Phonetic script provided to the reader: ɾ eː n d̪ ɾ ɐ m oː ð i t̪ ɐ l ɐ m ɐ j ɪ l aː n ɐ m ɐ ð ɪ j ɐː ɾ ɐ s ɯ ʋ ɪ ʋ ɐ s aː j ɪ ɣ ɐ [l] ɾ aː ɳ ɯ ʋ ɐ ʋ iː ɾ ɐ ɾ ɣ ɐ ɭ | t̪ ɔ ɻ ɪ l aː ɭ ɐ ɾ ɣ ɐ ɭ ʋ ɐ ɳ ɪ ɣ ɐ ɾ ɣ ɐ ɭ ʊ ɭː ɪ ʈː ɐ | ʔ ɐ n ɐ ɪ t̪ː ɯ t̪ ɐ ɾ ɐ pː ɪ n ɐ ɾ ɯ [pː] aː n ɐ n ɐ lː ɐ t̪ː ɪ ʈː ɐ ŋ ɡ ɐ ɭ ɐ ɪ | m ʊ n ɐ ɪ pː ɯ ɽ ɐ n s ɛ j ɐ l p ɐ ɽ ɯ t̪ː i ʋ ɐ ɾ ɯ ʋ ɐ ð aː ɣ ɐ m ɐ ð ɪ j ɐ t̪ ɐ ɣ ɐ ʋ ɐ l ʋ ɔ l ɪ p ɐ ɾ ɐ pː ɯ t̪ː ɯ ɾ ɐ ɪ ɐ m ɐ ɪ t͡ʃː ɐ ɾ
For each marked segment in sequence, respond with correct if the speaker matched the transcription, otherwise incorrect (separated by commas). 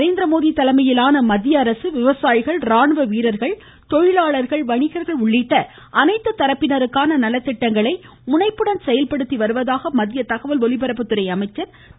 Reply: incorrect, incorrect